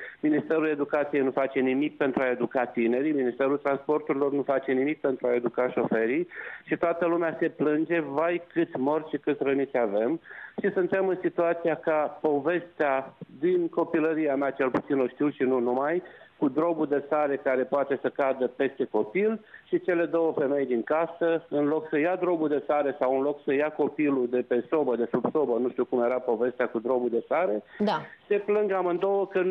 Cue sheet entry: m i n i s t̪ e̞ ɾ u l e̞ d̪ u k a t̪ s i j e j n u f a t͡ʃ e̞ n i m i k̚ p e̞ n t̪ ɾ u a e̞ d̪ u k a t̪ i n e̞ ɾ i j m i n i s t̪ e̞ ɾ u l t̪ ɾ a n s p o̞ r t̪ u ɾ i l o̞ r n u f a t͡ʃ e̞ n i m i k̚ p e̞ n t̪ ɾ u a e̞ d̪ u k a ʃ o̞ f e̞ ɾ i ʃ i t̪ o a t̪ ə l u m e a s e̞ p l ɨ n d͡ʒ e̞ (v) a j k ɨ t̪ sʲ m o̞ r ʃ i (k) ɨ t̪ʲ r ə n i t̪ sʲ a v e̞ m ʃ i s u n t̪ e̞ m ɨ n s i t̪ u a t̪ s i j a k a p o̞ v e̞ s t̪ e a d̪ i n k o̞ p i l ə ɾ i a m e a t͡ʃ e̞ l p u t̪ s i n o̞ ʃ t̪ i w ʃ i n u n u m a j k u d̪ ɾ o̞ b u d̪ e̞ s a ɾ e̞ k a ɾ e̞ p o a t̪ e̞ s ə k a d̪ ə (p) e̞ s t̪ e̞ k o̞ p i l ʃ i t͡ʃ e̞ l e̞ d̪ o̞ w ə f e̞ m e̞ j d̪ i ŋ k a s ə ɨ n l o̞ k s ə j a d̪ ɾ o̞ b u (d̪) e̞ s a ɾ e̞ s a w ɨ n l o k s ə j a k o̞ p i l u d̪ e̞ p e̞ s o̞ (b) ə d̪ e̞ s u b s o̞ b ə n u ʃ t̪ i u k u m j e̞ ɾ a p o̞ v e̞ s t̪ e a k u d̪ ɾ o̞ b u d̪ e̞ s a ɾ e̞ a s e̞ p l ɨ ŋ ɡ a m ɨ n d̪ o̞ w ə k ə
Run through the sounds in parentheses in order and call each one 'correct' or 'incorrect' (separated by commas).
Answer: correct, correct, correct, correct, correct